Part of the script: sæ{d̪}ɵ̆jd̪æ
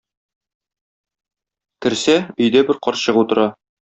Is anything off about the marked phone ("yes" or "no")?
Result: yes